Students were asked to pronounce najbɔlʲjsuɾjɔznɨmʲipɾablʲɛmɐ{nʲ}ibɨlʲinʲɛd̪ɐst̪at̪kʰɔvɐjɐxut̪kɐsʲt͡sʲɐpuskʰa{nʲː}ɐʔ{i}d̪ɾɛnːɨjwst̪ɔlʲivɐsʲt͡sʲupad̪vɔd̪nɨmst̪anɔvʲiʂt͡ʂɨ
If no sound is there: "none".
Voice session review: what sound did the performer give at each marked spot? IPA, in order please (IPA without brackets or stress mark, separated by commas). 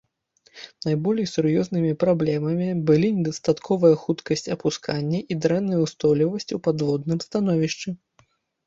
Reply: mʲ, nʲː, i